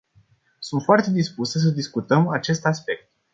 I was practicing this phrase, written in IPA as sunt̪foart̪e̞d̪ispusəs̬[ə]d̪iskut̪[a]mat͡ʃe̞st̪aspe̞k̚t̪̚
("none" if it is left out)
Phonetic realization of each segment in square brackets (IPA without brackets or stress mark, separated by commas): ə, ə